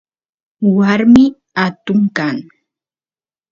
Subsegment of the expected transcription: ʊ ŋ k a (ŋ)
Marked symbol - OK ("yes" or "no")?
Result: yes